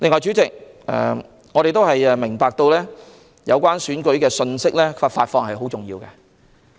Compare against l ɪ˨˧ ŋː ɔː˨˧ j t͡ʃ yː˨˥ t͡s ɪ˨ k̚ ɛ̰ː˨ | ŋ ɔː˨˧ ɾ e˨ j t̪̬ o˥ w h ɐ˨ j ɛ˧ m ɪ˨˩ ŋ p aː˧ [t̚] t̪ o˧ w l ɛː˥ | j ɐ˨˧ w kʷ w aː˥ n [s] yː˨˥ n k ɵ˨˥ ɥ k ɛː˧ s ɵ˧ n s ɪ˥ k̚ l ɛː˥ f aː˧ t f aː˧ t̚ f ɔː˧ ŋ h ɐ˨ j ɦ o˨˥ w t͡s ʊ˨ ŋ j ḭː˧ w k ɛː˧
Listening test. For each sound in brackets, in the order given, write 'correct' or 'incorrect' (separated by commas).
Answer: incorrect, correct